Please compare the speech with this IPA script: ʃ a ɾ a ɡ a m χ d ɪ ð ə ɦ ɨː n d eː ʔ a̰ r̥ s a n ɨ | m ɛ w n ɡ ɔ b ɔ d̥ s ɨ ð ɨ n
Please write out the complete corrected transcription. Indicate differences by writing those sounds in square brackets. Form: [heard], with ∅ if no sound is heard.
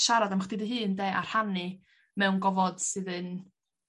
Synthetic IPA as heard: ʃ a ɾ a [d] a m χ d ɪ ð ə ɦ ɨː n d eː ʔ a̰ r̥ [h] a n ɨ | m ɛ w n ɡ ɔ [v] ɔ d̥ s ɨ ð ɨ n